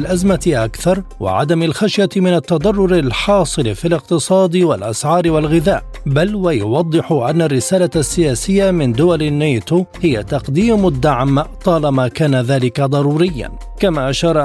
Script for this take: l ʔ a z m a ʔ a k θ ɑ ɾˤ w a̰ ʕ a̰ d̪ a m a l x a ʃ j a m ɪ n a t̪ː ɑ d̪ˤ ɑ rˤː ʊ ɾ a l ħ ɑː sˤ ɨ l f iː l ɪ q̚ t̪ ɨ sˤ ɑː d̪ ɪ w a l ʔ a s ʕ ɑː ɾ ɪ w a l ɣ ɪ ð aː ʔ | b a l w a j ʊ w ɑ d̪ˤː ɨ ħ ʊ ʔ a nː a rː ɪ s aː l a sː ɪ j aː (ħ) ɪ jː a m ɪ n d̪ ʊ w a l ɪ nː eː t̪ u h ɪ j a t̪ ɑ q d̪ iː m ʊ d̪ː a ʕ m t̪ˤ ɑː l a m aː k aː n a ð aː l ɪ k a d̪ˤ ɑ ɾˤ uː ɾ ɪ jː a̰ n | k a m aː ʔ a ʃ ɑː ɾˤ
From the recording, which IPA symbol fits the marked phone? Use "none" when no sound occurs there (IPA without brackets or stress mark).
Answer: s